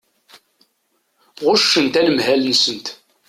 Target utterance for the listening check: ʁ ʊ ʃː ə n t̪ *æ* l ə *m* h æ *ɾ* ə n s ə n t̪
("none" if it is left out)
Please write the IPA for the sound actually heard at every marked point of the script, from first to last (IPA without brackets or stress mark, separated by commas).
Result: æ, m, l